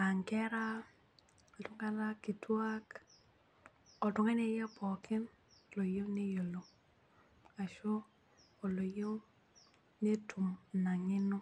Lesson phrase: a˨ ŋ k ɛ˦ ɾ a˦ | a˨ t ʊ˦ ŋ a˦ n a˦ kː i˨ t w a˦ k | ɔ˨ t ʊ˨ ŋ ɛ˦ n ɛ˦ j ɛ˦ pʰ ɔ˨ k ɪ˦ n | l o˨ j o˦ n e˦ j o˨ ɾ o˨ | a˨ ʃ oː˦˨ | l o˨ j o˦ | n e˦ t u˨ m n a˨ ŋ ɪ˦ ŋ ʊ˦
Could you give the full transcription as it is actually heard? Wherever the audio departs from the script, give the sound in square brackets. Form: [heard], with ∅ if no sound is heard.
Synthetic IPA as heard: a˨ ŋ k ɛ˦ ɾ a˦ | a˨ t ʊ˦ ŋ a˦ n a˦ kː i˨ t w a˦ k | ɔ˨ t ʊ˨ ŋ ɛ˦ n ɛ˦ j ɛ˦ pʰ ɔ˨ k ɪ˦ n | l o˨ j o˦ n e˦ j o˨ [l] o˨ | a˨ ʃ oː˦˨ | l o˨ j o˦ | n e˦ t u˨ m n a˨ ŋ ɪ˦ [n] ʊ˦